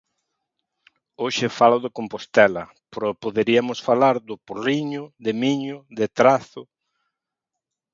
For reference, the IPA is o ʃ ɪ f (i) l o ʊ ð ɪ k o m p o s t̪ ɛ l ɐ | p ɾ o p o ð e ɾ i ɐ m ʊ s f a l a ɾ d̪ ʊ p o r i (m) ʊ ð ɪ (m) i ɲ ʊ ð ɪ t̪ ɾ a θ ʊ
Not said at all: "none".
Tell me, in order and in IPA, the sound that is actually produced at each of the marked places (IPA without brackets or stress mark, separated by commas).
a, ɲ, m